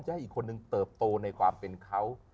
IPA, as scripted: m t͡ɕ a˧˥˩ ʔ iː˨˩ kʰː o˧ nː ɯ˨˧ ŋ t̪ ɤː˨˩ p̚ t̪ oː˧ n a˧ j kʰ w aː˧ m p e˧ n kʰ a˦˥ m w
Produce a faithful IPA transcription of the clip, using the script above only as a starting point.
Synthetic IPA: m t͡ɕ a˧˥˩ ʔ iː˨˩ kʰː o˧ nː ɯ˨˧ ŋ t̪ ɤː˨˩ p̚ t̪ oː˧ n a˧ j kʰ w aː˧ m p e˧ n kʰ a˦˥ w